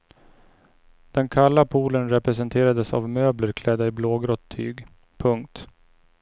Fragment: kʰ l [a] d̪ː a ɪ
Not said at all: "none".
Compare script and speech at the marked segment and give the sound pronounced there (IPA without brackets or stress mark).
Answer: ɛ